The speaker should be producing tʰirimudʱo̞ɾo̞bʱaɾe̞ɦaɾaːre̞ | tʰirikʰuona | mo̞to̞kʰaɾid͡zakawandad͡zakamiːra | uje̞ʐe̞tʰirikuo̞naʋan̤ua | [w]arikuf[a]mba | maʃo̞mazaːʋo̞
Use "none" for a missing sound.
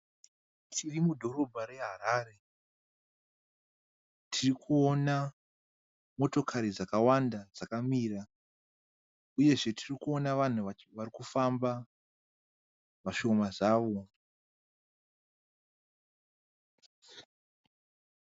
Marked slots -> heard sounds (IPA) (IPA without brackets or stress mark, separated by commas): ʋ, a